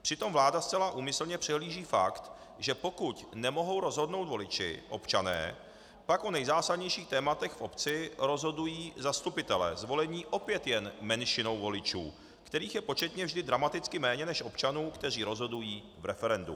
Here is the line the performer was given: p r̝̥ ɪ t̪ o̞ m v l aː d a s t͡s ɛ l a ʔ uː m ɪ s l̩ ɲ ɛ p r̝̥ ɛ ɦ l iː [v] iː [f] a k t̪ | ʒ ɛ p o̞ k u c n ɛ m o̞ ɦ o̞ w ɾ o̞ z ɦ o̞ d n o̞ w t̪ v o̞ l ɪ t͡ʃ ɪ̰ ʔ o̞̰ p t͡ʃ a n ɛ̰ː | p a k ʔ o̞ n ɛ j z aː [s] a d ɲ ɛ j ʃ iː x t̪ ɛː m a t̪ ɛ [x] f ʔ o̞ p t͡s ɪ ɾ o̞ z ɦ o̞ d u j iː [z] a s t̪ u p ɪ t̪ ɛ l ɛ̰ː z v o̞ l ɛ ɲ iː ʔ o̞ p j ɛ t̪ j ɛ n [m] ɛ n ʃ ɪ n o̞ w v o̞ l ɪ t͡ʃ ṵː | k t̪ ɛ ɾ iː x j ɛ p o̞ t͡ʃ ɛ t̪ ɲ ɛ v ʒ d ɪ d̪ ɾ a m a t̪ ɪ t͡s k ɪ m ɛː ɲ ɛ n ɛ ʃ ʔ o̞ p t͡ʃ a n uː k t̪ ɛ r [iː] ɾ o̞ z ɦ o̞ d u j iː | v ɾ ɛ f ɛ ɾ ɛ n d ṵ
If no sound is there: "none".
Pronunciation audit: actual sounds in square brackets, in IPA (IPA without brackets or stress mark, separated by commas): ʒ, f, s, x, z, m, iː